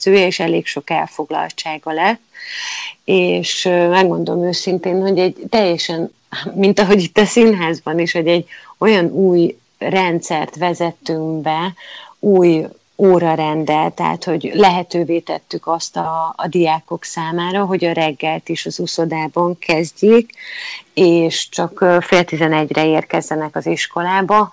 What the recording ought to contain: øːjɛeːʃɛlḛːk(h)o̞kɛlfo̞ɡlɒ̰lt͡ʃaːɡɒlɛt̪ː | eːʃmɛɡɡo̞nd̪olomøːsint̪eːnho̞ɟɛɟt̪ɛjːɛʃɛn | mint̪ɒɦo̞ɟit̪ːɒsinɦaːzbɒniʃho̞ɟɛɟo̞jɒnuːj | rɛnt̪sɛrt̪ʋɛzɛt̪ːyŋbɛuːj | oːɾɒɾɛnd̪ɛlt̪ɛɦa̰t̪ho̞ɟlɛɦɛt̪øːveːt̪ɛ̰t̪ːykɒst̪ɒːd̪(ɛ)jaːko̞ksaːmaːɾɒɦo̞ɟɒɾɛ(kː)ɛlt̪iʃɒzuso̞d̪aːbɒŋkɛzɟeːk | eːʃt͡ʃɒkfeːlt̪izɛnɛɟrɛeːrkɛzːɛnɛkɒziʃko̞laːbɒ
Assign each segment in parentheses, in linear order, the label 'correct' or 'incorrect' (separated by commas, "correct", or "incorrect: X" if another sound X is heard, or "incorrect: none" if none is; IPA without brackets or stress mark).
incorrect: ʃ, incorrect: i, incorrect: ɡː